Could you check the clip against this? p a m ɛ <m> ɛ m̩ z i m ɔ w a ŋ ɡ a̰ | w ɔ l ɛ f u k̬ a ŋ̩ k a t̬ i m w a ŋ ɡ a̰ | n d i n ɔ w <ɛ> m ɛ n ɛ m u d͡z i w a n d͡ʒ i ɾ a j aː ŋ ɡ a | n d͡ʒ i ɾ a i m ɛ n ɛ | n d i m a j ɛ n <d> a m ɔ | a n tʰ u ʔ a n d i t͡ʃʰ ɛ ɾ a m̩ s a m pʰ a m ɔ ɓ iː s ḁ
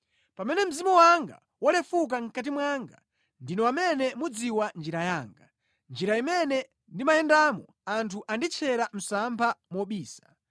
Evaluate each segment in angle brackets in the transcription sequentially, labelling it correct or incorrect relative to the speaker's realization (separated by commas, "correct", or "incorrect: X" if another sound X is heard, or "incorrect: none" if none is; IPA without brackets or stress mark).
incorrect: n, incorrect: a, correct